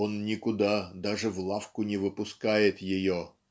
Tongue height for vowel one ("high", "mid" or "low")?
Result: mid